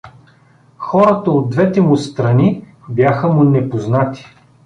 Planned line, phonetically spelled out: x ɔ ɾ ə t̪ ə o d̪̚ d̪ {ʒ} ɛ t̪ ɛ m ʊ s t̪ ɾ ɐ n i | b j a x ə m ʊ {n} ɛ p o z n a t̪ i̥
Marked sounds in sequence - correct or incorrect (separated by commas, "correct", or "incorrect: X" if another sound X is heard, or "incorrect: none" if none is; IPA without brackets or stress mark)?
incorrect: v, correct